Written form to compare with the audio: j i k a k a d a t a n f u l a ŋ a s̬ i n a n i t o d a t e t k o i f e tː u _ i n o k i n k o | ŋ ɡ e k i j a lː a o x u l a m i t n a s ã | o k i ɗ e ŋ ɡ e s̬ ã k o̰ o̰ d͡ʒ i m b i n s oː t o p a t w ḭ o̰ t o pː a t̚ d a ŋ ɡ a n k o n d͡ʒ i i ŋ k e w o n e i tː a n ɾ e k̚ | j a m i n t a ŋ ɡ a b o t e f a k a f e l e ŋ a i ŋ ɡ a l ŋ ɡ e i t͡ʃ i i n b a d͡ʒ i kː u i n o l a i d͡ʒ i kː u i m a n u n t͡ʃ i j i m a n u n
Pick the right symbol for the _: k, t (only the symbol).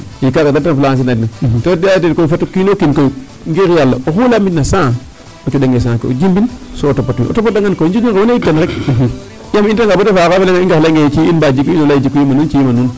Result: k